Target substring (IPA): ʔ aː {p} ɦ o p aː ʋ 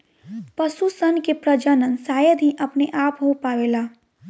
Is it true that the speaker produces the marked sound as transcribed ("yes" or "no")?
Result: yes